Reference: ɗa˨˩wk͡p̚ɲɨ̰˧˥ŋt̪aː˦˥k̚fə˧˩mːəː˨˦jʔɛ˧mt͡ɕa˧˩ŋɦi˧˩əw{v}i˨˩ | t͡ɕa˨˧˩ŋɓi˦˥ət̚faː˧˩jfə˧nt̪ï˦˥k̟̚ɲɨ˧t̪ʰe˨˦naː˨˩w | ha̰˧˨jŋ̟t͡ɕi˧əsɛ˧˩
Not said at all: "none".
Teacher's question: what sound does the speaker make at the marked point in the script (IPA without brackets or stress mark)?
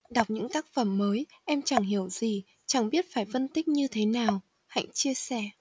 z